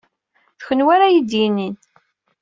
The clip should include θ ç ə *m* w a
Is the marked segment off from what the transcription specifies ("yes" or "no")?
yes